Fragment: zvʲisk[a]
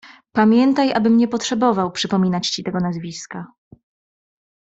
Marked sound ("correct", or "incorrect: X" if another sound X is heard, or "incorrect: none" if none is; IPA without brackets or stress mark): correct